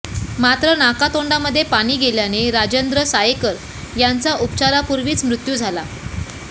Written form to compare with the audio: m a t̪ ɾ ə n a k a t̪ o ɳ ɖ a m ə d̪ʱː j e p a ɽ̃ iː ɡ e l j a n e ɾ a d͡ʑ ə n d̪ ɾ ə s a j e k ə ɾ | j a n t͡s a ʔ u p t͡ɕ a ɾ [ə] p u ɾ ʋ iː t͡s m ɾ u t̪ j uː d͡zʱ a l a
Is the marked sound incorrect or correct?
incorrect